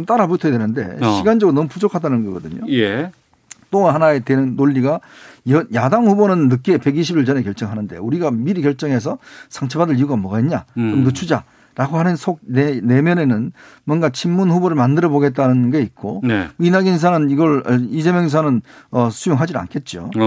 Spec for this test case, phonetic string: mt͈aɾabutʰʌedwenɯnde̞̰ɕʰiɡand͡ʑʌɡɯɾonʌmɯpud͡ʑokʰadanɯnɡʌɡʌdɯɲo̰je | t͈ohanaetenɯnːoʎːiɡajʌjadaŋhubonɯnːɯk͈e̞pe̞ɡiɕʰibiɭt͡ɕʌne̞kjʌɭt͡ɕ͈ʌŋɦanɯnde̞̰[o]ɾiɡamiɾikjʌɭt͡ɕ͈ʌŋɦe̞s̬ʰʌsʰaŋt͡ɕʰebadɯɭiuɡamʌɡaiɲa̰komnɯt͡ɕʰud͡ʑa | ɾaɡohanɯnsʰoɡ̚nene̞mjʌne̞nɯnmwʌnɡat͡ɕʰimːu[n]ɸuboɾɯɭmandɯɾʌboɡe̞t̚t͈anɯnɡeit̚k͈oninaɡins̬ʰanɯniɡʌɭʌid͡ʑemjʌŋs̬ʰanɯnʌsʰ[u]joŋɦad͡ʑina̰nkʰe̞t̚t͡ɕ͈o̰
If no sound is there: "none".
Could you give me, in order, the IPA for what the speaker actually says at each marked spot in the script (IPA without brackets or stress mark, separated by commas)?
u, n, u